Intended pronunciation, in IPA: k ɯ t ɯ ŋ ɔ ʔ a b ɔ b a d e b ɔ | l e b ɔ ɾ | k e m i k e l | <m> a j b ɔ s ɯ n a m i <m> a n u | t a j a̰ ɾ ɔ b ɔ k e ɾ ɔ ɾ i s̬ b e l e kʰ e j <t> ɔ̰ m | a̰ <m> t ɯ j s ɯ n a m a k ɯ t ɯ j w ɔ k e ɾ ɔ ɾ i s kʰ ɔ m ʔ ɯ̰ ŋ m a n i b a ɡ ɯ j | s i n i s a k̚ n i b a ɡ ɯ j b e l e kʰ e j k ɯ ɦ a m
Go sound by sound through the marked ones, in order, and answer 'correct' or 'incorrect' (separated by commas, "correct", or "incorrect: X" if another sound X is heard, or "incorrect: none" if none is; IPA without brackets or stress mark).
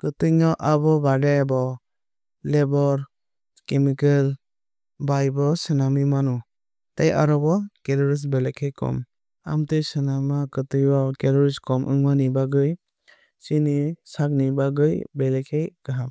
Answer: incorrect: b, correct, incorrect: k, correct